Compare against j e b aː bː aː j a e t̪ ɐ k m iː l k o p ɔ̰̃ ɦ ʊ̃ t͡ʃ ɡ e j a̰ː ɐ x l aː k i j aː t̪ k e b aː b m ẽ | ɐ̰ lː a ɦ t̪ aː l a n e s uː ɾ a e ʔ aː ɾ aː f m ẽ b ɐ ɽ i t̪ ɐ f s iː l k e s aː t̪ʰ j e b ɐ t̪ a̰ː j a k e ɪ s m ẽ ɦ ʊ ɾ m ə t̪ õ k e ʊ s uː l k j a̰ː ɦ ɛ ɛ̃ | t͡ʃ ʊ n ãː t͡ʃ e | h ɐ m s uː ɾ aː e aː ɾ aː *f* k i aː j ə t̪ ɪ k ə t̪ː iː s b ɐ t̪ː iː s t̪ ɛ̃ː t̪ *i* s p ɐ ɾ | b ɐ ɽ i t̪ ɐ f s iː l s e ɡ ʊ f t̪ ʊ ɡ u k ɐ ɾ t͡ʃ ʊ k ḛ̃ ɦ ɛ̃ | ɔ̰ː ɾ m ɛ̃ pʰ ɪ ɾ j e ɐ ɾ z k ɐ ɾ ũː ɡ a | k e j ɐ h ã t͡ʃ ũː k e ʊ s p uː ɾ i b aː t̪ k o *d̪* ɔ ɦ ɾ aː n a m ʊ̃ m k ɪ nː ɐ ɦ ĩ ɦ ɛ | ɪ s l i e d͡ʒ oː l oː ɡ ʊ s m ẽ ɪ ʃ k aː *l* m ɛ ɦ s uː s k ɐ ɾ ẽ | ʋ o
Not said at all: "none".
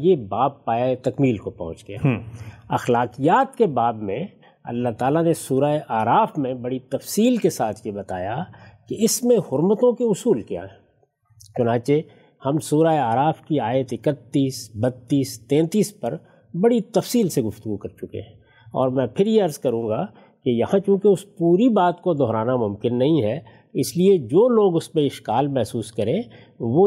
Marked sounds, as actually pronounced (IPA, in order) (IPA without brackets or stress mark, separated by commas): f, iː, d̪, l